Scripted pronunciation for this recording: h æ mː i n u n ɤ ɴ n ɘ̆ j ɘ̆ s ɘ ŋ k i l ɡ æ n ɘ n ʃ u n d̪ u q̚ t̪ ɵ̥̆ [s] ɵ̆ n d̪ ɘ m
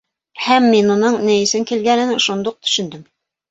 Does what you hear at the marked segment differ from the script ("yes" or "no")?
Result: yes